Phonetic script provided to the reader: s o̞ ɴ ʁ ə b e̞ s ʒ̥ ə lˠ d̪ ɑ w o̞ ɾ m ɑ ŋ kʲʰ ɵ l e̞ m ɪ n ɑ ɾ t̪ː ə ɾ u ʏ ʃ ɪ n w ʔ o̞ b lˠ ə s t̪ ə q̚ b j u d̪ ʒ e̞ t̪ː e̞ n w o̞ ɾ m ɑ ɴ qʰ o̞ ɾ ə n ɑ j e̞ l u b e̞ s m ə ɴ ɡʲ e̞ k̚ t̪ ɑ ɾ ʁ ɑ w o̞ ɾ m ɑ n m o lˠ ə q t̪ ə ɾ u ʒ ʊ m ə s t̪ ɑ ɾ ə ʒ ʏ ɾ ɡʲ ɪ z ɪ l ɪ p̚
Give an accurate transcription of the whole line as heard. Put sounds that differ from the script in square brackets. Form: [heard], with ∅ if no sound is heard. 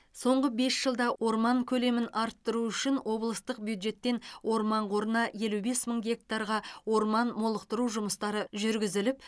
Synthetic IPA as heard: s o̞ ɴ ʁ ə b e̞ s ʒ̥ ə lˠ d̪ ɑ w o̞ ɾ m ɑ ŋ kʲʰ ɵ l e̞ m ɪ n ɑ ɾ t̪ː ə ɾ u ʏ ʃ ɪ n w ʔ o̞ b lˠ ə s t̪ ə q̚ b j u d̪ ʒ e̞ t̪ː e̞ n w o̞ ɾ m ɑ ɴ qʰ o̞ ɾ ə n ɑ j e̞ l u b e̞ s m ə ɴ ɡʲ e̞ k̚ t̪ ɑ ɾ ʁ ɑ w o̞ ɾ m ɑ n m o lˠ ə q t̪ ə ɾ u ʒ ʊ m ə s t̪ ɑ ɾ ə ʒ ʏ ɾ ɡʲ ɪ z ɪ l ɪ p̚